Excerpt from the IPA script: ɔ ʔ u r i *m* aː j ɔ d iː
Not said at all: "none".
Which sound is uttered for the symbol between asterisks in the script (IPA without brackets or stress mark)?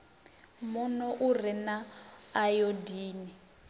n